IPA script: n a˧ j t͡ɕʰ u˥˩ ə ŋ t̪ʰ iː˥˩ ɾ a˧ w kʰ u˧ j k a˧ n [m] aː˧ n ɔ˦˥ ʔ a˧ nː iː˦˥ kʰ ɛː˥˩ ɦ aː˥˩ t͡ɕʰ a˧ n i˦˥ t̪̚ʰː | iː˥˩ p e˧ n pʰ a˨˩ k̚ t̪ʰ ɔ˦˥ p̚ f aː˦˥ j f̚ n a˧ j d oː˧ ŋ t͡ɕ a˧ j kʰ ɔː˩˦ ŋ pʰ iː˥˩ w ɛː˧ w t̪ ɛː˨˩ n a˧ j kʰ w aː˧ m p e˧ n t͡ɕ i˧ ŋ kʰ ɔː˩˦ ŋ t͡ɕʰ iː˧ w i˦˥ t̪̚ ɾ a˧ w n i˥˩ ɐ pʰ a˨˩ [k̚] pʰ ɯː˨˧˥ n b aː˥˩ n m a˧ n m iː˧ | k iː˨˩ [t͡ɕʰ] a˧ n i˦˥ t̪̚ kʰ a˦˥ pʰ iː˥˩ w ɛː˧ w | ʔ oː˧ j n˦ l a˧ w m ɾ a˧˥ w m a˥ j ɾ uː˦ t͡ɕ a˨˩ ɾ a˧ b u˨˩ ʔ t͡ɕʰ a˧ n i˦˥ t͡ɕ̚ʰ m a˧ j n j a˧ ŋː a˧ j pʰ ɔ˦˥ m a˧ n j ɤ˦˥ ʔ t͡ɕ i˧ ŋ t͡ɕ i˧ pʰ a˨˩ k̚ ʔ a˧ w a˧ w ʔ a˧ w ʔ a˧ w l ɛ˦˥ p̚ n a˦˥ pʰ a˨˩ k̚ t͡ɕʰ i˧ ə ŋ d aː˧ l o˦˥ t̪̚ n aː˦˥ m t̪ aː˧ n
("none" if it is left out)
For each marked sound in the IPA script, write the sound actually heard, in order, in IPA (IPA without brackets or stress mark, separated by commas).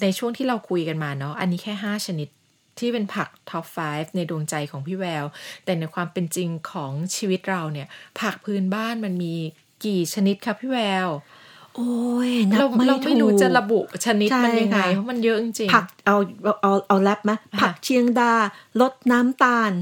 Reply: m, k̚, t͡ɕʰ